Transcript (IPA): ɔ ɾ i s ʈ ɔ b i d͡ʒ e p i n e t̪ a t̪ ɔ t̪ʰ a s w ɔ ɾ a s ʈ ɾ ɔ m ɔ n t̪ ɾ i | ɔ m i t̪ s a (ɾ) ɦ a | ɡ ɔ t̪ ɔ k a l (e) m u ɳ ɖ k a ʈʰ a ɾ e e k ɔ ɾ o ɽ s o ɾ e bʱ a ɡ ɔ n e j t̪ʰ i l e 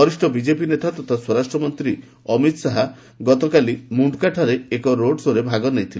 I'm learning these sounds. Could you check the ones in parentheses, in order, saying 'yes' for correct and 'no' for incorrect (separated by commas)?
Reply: no, no